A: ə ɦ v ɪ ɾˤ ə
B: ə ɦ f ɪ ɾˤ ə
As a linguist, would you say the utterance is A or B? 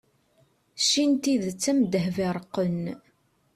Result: A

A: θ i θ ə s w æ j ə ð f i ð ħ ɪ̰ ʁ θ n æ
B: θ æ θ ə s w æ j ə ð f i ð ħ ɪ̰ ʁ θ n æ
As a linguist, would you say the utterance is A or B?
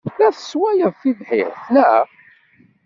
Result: B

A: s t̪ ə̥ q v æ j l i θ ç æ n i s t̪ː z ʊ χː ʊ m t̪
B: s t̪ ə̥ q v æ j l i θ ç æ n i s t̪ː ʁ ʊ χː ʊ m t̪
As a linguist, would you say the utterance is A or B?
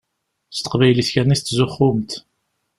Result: A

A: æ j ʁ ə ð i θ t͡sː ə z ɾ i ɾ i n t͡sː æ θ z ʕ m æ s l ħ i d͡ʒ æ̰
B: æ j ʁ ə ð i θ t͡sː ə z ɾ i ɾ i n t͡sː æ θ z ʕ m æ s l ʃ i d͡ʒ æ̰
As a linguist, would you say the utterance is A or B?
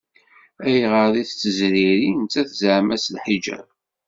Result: A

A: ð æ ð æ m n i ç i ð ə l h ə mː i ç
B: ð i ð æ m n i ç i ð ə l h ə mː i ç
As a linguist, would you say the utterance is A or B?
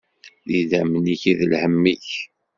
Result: B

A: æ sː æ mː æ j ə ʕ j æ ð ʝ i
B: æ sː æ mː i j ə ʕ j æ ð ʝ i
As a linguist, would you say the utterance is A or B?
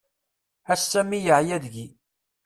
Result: B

